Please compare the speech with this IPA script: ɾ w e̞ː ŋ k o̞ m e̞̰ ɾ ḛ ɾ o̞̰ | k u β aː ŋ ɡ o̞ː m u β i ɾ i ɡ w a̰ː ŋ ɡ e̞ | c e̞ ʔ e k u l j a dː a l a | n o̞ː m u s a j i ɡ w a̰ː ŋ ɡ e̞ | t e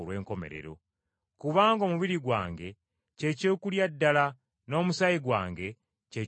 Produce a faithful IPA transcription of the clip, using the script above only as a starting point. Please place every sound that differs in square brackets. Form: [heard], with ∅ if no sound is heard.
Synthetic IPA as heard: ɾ w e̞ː ŋ k o̞ m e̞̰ ɾ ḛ ɾ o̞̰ | k u β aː ŋ ɡ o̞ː m u β i ɾ i ɡ w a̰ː ŋ ɡ e̞ | c e̞ [c] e k u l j a dː a l a | n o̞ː m u s a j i ɡ w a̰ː ŋ ɡ e̞ | [c] e